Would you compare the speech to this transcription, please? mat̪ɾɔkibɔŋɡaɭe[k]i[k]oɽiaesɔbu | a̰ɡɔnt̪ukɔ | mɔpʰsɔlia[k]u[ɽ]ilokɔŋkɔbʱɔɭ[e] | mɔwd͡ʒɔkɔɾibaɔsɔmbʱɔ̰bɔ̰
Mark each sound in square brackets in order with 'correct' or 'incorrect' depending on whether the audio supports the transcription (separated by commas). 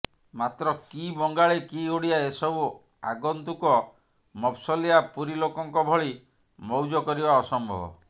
correct, incorrect, incorrect, incorrect, incorrect